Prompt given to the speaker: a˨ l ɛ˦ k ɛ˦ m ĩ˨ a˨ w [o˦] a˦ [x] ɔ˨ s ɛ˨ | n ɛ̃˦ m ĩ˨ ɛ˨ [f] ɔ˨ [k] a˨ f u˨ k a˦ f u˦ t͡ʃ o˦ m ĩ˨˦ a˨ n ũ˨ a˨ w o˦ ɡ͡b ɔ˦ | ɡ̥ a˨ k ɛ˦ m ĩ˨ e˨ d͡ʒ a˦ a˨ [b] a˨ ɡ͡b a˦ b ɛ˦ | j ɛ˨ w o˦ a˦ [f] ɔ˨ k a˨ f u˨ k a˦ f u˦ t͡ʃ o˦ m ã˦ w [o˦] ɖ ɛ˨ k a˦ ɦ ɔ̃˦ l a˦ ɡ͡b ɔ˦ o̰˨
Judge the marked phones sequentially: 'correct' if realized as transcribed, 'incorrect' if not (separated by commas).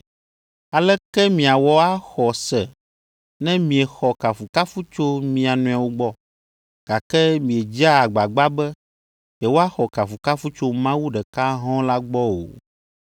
incorrect, correct, incorrect, correct, incorrect, incorrect, incorrect